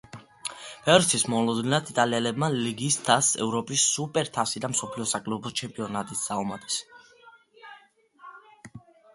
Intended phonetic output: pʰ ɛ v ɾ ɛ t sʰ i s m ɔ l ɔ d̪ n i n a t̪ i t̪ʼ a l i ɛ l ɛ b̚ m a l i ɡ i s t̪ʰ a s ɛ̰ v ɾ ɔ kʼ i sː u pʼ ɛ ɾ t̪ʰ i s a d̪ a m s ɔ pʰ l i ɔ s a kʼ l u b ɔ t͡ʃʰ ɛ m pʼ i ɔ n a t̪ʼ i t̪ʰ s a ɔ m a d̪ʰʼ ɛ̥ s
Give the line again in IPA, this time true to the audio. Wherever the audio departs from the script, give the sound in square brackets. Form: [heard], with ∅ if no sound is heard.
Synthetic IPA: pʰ ɛ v ɾ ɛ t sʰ i s m ɔ l ɔ d̪ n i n a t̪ i t̪ʼ a l i ɛ l ɛ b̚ m a l i ɡ i s t̪ʰ a s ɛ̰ v ɾ ɔ [pʼ] i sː u pʼ ɛ ɾ t̪ʰ [a] s [i] d̪ a m s ɔ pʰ l i ɔ s a kʼ l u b ɔ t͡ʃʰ ɛ m pʼ i ɔ n a t̪ʼ i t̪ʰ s a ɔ m a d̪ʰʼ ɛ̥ s